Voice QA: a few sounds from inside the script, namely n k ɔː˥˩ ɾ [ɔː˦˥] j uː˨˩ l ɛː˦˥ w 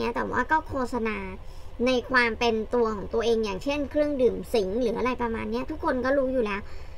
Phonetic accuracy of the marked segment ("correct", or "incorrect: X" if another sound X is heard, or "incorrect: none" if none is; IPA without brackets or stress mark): incorrect: uː˦˥